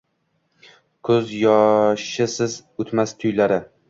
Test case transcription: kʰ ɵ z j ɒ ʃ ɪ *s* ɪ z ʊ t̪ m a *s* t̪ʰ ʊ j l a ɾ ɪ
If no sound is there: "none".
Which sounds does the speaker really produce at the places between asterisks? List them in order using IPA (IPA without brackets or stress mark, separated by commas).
s, s